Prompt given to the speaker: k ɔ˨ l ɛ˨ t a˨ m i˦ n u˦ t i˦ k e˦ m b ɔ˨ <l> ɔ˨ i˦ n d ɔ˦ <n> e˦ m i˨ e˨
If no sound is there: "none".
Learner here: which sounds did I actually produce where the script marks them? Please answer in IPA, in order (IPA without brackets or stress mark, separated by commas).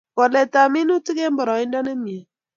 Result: ɾ, n